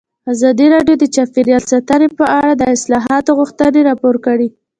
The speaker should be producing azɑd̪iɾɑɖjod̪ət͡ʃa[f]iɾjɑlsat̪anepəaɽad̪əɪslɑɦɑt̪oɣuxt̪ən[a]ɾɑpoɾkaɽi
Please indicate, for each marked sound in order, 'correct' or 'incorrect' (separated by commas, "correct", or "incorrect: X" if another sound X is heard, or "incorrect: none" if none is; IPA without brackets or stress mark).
correct, incorrect: e